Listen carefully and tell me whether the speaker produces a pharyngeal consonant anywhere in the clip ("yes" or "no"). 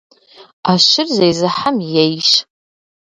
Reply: yes